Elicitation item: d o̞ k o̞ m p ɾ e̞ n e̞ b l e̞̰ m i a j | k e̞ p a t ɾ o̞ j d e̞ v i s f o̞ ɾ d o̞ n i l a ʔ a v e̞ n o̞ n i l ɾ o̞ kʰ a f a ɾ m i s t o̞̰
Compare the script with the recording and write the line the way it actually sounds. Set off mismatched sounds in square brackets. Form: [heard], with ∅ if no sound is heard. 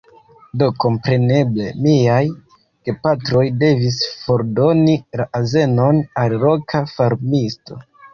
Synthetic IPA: d o̞ k o̞ m p ɾ e̞ n e̞ b l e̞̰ m i a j | k e̞ p a t ɾ o̞ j d e̞ v i s f o̞ ɾ d o̞ n i l a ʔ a [z] e̞ n o̞ n [a] l ɾ o̞ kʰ a f a ɾ m i s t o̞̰